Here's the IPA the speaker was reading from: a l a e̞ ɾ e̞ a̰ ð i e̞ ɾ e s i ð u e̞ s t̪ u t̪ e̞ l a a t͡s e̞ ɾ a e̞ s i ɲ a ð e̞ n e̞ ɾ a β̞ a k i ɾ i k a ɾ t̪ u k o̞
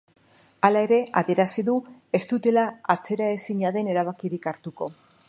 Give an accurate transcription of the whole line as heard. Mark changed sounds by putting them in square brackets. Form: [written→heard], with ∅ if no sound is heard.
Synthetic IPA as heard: a l a e̞ ɾ e̞ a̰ ð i e̞ ɾ [e→a] s i ð u e̞ s t̪ u t̪ e̞ l a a t͡s e̞ ɾ a e̞ s i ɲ a ð e̞ n e̞ ɾ a β̞ a k i ɾ i k a ɾ t̪ u k o̞